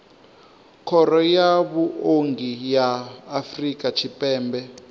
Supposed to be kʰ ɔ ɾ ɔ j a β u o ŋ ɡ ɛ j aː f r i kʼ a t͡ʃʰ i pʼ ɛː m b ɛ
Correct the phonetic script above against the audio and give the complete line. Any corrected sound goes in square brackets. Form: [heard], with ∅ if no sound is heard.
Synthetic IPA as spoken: kʰ ɔ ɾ ɔ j a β u o ŋ ɡ [i] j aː f r i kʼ a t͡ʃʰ i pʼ ɛː m b ɛ